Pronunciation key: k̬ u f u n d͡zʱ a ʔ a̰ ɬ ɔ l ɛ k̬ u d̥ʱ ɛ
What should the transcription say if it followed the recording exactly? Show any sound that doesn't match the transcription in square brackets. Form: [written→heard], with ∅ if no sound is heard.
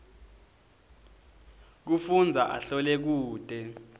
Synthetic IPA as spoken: k̬ u f u n d͡zʱ a ʔ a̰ ɬ ɔ l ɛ k̬ [u→uː] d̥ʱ ɛ